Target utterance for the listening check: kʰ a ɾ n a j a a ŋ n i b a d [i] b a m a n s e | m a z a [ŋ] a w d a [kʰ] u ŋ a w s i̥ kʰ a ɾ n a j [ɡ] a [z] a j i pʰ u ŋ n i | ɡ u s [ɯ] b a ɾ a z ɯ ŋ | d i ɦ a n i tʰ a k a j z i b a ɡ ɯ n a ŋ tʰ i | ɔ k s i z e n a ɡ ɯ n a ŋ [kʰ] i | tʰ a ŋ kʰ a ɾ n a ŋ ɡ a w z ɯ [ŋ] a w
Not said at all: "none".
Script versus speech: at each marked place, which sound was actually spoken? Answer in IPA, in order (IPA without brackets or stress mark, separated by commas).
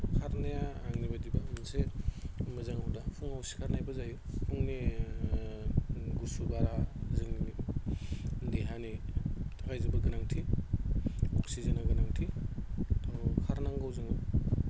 i, ŋ, pʰ, b, z, u, tʰ, ŋ